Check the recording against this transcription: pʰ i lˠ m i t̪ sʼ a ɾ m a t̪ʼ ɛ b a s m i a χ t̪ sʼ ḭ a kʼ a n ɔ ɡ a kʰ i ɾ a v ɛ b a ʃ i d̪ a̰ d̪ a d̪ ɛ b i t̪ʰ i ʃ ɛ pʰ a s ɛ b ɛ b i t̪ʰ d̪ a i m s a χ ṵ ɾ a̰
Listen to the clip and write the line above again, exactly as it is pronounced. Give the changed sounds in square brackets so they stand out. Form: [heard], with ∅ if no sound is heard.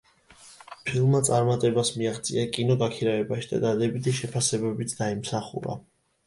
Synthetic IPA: pʰ i lˠ m [a] t̪ sʼ a ɾ m a t̪ʼ ɛ b a s m i a χ t̪ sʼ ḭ a kʼ [i] n ɔ ɡ a kʰ i ɾ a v ɛ b a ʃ i d̪ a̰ d̪ a d̪ ɛ b i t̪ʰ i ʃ ɛ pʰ a s ɛ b ɛ b i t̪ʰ d̪ a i m s a χ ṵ ɾ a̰